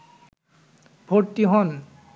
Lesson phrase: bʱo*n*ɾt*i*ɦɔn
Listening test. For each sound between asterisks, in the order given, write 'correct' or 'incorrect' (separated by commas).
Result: incorrect, correct